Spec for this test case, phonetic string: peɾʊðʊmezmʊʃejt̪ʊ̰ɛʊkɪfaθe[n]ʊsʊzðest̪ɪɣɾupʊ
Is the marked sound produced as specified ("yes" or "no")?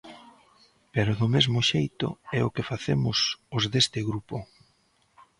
no